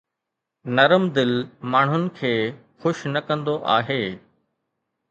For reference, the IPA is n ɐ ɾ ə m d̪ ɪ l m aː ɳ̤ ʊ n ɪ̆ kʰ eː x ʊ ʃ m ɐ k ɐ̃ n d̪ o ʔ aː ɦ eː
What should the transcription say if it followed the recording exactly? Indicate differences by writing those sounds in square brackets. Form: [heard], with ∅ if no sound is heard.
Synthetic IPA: n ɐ ɾ ə m d̪ ɪ l m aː ɳ̤ ʊ n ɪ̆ kʰ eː x ʊ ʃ [n] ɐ k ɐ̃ n d̪ o ʔ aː ɦ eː